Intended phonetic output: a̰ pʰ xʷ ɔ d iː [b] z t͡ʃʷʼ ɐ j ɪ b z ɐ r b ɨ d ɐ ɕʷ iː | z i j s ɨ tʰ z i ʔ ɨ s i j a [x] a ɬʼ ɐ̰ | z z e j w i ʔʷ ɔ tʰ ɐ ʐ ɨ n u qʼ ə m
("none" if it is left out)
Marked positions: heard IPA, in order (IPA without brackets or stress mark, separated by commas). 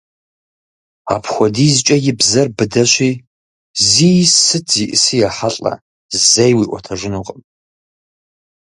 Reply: none, ħ